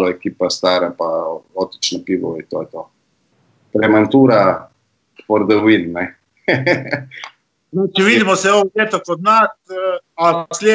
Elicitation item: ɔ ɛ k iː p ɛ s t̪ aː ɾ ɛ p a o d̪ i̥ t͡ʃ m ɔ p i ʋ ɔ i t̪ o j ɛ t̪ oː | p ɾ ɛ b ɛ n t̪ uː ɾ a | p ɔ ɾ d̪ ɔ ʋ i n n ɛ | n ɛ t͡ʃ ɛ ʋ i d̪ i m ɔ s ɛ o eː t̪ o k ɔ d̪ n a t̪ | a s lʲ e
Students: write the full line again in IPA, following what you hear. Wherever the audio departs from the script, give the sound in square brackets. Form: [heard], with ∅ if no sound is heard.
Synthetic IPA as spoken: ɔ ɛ k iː p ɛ s t̪ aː ɾ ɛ p a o [t̪] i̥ t͡ʃ [n] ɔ p i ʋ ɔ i t̪ o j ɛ t̪ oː | p ɾ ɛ [m] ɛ n t̪ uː ɾ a | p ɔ ɾ d̪ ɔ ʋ i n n ɛ | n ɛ t͡ʃ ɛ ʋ i d̪ i m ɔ s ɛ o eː t̪ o k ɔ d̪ n a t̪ | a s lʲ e